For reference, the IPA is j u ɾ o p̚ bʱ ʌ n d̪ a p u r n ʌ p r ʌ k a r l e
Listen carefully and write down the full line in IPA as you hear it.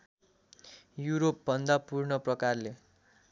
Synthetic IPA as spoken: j u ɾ o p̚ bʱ ʌ n d̪ a p u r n ʌ p r ʌ k a r l e